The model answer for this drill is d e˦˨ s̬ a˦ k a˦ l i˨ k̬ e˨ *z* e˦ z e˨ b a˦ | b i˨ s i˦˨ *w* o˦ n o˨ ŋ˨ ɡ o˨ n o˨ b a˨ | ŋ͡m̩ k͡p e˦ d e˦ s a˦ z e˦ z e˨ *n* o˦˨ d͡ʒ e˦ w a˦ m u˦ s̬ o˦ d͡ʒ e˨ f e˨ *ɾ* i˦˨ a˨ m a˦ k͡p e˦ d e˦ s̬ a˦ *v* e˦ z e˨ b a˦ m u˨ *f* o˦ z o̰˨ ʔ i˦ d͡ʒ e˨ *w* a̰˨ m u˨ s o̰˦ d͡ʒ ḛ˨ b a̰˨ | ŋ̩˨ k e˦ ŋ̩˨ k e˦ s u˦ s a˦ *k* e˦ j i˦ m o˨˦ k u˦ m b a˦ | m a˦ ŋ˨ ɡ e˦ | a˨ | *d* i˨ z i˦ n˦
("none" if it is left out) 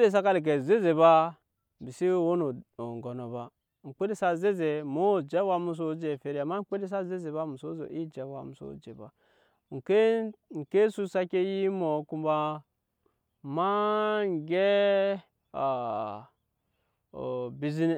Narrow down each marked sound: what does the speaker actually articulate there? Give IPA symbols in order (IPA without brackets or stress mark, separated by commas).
z, w, m, ɾ, z, s, w, k, b